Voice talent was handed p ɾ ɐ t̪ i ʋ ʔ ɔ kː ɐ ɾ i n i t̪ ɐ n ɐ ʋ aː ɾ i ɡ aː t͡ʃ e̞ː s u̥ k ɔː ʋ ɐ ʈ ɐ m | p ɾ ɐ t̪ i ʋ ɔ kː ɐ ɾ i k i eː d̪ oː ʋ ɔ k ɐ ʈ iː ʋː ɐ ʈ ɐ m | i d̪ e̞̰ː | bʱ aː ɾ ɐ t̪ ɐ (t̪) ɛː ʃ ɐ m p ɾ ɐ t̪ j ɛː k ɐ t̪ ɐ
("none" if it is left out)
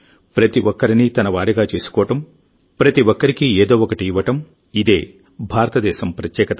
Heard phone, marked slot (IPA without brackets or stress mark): d̪